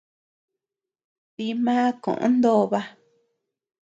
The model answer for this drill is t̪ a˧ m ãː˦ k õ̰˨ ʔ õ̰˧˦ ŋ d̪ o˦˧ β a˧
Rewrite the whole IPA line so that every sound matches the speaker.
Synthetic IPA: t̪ i˧ m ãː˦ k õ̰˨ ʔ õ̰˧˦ n d̪ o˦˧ β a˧